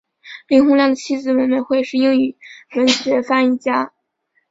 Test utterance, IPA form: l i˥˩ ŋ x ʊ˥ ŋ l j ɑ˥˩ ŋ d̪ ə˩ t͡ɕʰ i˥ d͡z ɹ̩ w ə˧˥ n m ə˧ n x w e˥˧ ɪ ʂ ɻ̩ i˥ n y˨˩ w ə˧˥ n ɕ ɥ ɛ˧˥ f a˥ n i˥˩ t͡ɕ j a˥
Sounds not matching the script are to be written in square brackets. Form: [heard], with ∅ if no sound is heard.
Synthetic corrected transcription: l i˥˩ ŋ x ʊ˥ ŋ l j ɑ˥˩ ŋ d̪ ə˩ t͡ɕʰ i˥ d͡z ɹ̩ w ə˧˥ n m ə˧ n x w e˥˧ ɪ ʂ ɻ̩ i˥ [ŋ] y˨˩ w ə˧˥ n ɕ ɥ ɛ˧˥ f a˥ n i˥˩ t͡ɕ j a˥

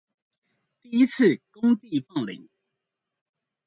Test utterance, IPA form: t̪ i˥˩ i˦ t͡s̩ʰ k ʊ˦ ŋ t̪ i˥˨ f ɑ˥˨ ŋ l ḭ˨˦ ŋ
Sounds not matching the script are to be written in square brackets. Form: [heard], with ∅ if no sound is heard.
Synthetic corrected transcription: t̪ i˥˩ i˦ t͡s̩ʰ k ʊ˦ ŋ t̪ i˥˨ f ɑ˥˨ ŋ l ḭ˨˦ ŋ

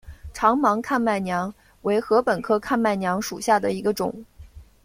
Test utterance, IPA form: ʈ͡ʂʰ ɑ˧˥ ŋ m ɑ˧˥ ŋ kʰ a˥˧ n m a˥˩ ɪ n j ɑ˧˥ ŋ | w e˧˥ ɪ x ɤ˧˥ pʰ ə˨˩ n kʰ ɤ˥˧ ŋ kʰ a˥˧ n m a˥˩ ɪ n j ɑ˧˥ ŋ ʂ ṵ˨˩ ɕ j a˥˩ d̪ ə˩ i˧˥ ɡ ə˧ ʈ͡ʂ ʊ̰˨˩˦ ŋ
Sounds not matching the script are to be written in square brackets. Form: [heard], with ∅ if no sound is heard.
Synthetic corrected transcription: ʈ͡ʂʰ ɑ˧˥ ŋ m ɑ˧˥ ŋ kʰ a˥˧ n m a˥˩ ɪ n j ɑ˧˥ ŋ | w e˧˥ ɪ x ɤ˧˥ [p] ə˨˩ n kʰ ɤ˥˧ [∅] kʰ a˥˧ n m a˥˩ ɪ n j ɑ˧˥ ŋ ʂ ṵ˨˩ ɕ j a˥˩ d̪ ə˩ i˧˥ ɡ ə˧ ʈ͡ʂ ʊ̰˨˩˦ ŋ

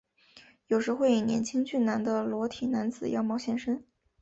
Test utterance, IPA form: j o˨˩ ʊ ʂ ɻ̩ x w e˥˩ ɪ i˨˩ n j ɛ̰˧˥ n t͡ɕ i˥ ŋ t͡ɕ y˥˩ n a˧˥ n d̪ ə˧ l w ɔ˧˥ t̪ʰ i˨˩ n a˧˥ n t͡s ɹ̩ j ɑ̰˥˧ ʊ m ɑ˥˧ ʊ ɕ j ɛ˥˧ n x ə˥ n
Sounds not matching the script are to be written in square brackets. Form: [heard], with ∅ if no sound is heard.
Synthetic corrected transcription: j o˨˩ ʊ ʂ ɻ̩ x w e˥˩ ɪ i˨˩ n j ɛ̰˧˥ n [t͡ɕʰ] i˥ ŋ t͡ɕ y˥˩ n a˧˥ n d̪ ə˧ l w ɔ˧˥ t̪ʰ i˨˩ n a˧˥ n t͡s ɹ̩ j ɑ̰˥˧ ʊ m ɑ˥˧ ʊ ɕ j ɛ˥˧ n [ʂ] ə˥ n

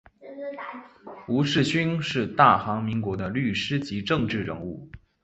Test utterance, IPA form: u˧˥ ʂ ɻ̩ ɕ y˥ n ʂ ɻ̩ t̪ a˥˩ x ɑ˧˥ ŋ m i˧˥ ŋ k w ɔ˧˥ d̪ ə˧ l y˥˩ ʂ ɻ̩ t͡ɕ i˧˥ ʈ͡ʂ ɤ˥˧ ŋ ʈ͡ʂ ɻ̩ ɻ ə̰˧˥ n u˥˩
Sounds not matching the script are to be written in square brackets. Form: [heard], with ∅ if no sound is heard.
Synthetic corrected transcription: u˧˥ ʂ ɻ̩ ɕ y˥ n ʂ ɻ̩ t̪ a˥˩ x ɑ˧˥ ŋ m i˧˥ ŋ k w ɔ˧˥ d̪ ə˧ l y˥˩ ʂ ɻ̩ t͡ɕ i˧˥ ʈ͡ʂ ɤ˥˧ ŋ ʈ͡ʂ ɻ̩ ɻ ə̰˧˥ [ŋ] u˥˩

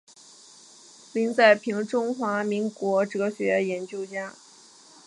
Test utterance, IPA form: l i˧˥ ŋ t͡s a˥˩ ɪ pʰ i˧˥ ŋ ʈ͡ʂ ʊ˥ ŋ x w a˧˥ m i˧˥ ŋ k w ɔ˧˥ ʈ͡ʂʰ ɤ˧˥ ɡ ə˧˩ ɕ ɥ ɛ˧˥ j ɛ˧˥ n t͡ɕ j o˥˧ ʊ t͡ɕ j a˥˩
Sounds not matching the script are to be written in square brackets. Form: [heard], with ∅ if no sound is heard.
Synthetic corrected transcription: l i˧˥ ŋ t͡s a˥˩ ɪ pʰ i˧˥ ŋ ʈ͡ʂ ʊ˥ ŋ x w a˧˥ m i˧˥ ŋ k w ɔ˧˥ [ʈ͡ʂ] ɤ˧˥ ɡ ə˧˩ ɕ ɥ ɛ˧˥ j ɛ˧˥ n t͡ɕ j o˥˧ ʊ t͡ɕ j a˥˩

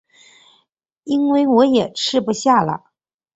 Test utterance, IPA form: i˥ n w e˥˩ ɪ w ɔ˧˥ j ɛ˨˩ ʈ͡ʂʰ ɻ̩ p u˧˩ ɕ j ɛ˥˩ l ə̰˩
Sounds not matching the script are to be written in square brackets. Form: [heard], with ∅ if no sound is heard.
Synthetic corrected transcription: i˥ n w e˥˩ ɪ w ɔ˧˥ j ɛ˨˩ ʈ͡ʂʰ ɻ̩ p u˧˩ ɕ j [a˥˩] l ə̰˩

